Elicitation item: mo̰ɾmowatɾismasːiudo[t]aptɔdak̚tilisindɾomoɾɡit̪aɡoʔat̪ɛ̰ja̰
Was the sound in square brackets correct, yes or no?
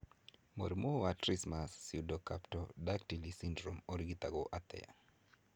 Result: no